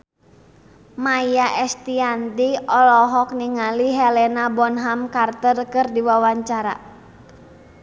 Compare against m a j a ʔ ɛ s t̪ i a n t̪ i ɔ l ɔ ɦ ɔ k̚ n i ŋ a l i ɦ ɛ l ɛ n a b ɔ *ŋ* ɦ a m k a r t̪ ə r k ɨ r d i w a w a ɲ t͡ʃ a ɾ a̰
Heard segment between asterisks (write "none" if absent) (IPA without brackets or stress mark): n